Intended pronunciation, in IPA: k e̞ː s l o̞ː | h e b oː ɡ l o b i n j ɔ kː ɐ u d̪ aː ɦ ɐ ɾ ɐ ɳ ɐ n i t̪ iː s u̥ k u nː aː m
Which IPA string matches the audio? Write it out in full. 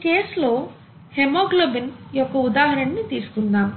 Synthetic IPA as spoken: k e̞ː s l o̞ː | h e m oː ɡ l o b i n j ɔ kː ɐ u d̪ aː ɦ ɐ ɾ ɐ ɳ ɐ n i t̪ iː s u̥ k u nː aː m